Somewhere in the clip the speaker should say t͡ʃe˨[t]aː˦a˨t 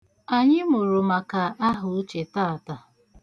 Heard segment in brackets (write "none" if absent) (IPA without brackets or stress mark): t